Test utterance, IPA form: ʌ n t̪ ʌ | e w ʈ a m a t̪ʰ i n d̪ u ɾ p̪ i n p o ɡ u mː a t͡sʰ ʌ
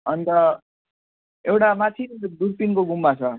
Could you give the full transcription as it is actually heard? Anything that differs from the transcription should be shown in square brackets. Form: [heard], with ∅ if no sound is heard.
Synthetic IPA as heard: ʌ n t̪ ʌ | e w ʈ a m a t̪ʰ i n d̪ u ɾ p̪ i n [k] o ɡ u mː a t͡sʰ ʌ